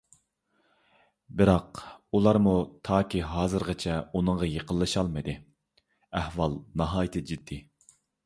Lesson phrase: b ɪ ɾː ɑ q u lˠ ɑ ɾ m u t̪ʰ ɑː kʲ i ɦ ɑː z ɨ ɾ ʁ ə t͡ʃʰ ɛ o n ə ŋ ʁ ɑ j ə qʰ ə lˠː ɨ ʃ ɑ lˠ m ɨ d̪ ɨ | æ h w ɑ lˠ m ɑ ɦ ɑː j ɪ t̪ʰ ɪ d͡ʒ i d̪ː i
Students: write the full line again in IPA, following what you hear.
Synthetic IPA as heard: b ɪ ɾ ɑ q u lˠ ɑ ɾ m u t̪ʰ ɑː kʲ i ɦ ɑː z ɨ ɾ ʁ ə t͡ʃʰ ɛ u n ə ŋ ʁ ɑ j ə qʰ ə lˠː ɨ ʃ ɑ lˠ m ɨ d̪ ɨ | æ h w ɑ lˠ n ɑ ɦ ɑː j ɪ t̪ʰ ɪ d͡ʒ i d̪ː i